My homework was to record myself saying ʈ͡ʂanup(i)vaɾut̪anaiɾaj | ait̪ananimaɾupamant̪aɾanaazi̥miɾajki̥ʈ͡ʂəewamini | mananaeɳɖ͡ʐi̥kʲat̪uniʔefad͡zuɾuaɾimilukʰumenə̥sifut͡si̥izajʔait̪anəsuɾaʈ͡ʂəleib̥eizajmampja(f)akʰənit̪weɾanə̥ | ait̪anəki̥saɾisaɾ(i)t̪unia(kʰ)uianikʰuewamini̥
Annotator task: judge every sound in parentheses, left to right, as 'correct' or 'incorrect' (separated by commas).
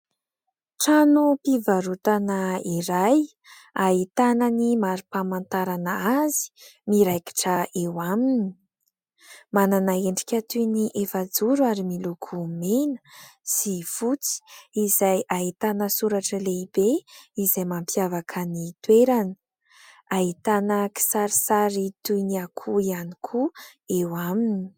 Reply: correct, incorrect, correct, correct